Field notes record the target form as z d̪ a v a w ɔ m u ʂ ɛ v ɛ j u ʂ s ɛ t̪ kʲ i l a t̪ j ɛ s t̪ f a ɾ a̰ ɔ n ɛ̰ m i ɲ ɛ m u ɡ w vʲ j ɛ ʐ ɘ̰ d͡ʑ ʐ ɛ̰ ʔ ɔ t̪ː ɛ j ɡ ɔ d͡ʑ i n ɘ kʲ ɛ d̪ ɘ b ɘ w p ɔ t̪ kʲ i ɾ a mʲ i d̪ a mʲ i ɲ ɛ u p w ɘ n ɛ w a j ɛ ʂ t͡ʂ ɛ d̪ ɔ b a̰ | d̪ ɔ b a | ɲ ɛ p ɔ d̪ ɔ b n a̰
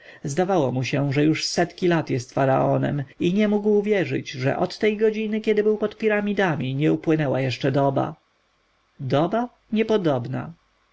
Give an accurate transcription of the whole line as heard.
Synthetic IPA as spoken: z d̪ a v a w ɔ m u ɕ ɛ ʐ ɛ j u ʂ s ɛ t̪ kʲ i l a t̪ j ɛ s t̪ f a ɾ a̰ ɔ n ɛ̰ m i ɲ ɛ m u ɡ w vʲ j ɛ ʐ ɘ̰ d͡ʑ ʐ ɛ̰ ʔ ɔ t̪ː ɛ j ɡ ɔ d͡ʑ i n ɘ kʲ ɛ d̪ ɘ b ɘ w p ɔ t̪ pʲ i ɾ a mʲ i d̪ a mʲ i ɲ ɛ u p w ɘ n ɛ w a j ɛ ʂ t͡ʂ ɛ d̪ ɔ b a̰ | d̪ ɔ b a | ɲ ɛ p ɔ d̪ ɔ b n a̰